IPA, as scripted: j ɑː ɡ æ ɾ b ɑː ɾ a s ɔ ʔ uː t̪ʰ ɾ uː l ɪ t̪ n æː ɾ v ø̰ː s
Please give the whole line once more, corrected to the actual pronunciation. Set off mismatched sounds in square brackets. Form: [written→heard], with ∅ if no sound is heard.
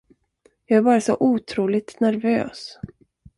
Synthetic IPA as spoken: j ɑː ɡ æ ɾ b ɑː ɾ a s ɔ ʔ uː t̪ʰ ɾ uː l ɪ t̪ n [æː→æ] ɾ v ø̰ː s